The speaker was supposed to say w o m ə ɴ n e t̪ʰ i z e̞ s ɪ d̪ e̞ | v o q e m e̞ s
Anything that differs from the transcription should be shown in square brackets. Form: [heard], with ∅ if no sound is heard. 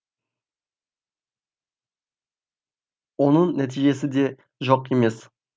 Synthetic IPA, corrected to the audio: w o [n] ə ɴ n [æ] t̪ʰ i [ʒ] e̞ s ɪ d̪ e̞ | [ʒ] o q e m e̞ s